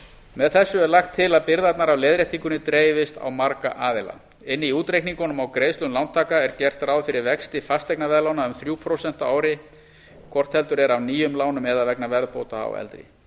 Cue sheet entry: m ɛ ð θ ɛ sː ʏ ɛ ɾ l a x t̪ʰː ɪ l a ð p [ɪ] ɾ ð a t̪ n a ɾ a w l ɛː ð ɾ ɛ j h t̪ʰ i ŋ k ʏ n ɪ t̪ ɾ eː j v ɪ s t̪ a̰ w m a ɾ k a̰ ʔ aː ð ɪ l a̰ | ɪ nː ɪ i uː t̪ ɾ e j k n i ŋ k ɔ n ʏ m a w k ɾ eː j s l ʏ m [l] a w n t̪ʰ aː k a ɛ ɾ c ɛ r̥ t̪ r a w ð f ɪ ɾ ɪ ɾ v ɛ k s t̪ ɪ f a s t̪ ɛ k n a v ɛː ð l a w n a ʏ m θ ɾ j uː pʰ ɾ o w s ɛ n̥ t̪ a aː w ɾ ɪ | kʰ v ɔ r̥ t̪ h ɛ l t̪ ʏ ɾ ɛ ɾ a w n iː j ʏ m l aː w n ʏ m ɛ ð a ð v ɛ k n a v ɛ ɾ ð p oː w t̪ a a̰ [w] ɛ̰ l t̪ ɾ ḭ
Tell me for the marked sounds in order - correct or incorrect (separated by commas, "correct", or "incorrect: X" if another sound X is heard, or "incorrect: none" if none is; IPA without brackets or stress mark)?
correct, correct, correct